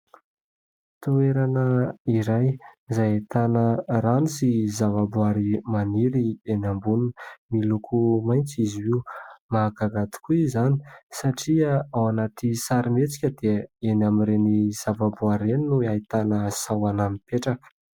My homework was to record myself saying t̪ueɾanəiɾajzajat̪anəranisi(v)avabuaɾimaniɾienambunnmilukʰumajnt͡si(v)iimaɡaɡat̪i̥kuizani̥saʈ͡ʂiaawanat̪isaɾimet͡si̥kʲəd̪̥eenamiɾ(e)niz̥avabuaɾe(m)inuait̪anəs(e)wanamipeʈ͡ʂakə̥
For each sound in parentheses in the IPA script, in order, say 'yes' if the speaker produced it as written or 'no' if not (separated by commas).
no, no, yes, no, no